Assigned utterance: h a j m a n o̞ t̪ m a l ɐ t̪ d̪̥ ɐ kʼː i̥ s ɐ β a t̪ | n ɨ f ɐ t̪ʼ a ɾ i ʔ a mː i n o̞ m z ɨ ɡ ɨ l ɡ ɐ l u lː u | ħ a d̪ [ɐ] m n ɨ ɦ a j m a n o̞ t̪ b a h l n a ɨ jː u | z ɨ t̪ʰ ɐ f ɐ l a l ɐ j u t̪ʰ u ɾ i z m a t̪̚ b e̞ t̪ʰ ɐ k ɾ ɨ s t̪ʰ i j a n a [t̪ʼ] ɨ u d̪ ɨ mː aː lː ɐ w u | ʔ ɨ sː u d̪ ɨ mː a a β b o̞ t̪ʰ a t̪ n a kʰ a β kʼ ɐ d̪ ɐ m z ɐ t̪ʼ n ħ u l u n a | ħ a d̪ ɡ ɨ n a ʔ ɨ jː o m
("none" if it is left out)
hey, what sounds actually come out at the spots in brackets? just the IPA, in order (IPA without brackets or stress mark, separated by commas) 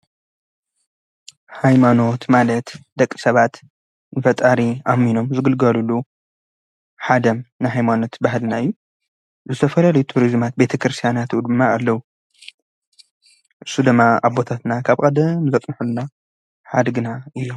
ɐ, t̪